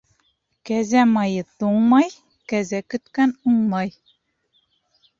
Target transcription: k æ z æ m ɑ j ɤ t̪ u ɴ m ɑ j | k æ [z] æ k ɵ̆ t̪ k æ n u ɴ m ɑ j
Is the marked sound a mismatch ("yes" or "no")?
no